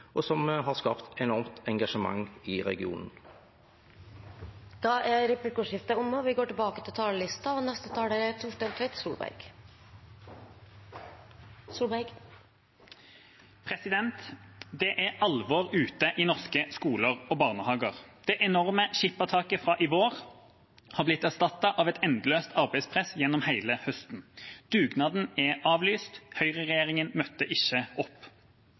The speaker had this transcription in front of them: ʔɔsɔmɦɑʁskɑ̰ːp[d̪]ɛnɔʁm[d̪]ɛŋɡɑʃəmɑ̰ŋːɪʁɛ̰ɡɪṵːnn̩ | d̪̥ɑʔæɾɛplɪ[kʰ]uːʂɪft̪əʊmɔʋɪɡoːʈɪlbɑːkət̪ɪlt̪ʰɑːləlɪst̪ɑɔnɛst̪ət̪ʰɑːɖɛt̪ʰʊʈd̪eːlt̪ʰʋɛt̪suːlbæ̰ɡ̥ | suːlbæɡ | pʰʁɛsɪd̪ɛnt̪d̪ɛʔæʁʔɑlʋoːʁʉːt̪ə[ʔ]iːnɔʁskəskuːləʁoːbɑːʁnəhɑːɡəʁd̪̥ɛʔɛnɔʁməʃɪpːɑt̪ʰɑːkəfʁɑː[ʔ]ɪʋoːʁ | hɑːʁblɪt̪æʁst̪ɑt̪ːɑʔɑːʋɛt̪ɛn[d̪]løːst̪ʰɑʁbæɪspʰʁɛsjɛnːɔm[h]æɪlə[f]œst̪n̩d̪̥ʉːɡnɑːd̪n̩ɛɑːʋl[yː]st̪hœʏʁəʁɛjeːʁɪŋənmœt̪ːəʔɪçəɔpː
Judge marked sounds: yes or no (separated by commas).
no, no, no, yes, yes, yes, yes, no, yes